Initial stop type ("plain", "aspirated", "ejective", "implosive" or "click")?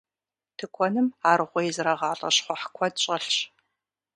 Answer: aspirated